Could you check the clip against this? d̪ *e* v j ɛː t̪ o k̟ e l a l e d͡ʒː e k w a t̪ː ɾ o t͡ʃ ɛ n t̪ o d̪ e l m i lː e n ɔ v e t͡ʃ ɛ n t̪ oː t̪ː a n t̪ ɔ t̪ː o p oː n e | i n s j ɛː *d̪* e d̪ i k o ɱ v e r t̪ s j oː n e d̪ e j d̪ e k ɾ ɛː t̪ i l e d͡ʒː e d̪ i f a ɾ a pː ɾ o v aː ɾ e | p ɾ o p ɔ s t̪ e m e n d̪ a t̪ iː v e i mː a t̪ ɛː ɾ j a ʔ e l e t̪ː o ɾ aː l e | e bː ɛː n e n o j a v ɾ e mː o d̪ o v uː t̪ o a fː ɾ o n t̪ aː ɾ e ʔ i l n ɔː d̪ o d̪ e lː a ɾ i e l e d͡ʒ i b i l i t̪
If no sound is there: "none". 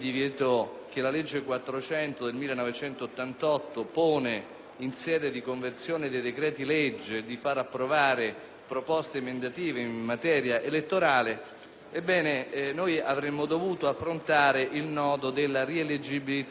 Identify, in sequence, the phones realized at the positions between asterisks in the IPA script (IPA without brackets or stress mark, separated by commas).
i, d̪